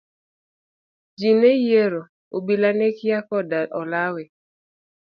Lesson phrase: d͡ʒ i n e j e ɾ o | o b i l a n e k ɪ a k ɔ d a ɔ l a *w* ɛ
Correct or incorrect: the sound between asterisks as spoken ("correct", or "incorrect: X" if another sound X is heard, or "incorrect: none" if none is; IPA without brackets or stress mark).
correct